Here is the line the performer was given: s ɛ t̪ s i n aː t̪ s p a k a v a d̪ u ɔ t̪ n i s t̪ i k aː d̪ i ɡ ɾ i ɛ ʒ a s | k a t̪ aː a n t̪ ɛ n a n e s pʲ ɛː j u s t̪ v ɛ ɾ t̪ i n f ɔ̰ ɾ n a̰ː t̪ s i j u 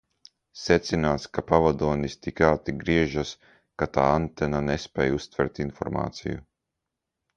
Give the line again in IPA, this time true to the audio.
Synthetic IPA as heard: s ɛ t̪ s i n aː t̪ s k a p a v a d̪ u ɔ n i s t̪ i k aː t̪ i ɡ ɾ i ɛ ʒ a s | k a t̪ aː a n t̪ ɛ n a n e s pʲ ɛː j u s t̪ v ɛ ɾ t̪ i n f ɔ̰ ɾ m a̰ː t̪ s i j u